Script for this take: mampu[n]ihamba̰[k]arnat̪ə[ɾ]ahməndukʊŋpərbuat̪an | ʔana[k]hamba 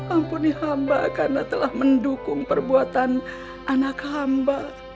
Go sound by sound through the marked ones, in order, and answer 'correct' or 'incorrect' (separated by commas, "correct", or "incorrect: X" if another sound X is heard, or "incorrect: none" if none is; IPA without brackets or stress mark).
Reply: correct, correct, incorrect: l, correct